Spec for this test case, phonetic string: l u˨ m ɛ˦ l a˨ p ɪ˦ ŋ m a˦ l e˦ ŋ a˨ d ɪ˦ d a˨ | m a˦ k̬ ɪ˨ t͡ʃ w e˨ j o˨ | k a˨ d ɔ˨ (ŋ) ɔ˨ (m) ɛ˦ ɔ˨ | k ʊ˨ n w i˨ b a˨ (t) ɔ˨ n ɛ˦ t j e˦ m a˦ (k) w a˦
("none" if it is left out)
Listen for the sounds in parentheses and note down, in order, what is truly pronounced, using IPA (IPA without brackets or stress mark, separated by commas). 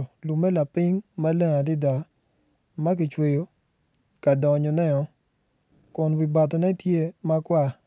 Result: ɲ, n, t, k